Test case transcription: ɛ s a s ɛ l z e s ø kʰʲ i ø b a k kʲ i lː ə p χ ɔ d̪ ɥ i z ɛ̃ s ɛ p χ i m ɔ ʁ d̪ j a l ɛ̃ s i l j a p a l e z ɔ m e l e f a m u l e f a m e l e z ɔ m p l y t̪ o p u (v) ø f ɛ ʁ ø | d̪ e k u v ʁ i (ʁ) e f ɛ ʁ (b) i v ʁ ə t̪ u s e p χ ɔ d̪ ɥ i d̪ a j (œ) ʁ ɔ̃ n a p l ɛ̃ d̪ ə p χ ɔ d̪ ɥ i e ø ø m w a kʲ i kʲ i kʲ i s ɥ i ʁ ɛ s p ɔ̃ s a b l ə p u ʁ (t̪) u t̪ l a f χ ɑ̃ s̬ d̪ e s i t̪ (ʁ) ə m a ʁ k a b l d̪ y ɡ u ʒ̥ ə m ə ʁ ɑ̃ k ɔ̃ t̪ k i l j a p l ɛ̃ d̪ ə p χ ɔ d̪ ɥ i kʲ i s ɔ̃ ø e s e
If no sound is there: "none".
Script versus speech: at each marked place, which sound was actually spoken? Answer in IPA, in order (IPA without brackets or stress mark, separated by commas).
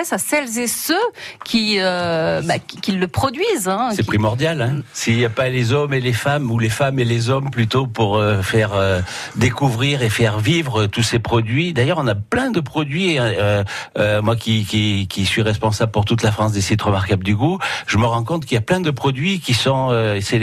ʁ, ʁ, v, œ, t̪, ʁ